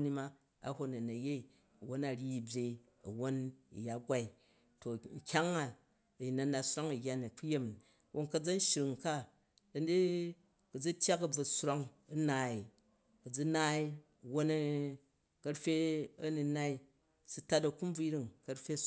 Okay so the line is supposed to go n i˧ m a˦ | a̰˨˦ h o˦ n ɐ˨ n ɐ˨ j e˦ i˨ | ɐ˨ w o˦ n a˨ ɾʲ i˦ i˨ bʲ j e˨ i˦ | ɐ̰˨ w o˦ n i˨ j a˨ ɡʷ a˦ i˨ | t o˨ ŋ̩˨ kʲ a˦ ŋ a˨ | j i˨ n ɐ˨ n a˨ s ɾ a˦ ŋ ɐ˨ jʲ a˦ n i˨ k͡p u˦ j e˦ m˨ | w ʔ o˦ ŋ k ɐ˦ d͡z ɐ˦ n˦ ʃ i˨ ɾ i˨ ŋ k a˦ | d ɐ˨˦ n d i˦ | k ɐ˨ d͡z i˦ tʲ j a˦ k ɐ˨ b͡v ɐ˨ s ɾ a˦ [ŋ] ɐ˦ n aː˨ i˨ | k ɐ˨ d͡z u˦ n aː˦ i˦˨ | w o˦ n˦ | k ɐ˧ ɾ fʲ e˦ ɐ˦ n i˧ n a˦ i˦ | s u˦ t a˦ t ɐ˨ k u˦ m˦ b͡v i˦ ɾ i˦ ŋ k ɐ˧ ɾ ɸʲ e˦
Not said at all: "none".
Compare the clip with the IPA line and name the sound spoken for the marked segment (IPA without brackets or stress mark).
ŋ